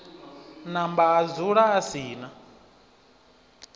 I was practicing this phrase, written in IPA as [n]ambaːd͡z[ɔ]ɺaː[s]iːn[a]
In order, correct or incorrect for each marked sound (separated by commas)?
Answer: correct, incorrect, correct, correct